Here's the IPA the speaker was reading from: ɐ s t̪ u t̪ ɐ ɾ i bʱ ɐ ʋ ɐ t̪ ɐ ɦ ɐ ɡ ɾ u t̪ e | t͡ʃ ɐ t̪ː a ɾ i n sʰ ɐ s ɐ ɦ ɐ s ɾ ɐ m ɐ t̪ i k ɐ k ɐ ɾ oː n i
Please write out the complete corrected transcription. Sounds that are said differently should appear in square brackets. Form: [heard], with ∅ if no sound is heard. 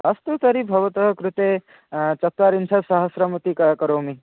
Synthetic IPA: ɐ s t̪ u t̪ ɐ ɾ i bʱ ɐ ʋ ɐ t̪ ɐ ɦ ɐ [k] ɾ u t̪ e | t͡ʃ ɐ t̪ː a ɾ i n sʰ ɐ s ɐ ɦ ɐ s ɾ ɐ m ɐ t̪ i k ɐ k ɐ ɾ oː [m] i